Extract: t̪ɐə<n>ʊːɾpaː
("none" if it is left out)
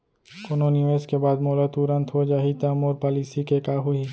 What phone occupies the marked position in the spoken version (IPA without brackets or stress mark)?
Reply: m